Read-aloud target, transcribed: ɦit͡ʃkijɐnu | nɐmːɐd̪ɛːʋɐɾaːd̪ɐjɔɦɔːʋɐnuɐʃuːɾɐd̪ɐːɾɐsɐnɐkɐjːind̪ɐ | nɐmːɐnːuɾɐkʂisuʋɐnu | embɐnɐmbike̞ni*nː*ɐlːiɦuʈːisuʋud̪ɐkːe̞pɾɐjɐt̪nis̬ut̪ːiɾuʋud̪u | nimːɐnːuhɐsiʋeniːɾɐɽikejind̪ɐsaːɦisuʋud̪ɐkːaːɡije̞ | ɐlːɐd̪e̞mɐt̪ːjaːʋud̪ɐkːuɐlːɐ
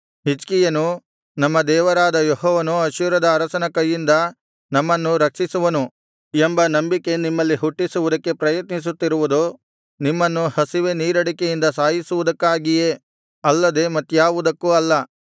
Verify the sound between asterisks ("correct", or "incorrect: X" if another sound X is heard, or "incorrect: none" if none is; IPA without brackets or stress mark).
incorrect: mː